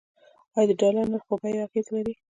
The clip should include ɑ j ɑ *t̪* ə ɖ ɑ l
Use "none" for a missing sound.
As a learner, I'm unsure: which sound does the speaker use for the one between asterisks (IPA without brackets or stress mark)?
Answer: d̪